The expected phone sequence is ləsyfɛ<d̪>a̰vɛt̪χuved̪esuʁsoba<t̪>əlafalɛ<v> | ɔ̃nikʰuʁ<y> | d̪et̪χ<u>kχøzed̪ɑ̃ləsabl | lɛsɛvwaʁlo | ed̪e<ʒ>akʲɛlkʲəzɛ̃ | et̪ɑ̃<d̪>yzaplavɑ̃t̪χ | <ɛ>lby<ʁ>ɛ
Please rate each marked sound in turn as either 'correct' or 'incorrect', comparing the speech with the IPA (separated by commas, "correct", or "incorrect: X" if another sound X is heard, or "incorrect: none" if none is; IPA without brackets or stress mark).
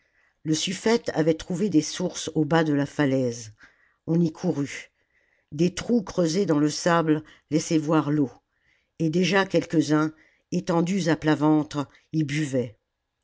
incorrect: t̪, incorrect: d̪, incorrect: z, correct, correct, correct, correct, incorrect: i, incorrect: v